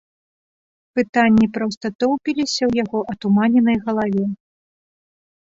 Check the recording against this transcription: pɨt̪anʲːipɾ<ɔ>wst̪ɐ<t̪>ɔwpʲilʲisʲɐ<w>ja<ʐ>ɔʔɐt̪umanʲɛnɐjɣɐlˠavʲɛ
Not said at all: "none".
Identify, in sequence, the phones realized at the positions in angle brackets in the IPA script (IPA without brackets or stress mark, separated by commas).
ɔ, t̪, w, ɣ